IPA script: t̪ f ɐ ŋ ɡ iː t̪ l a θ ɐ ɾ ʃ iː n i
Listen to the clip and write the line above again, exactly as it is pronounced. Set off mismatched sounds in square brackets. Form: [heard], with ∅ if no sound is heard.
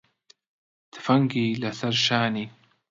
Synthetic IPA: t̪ f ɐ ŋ ɡ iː [∅] l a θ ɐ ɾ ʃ [aː] n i